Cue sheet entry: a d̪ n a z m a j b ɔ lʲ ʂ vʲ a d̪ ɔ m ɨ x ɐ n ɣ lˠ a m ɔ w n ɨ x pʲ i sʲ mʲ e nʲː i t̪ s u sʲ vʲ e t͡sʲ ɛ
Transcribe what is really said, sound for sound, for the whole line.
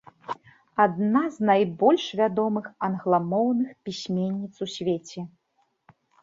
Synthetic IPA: a d̪ n a z n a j b ɔ lʲ ʂ vʲ a d̪ ɔ m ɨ x ɐ n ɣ lˠ a m ɔ w n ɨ x pʲ i sʲ mʲ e nʲː i t̪ s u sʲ vʲ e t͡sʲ ɛ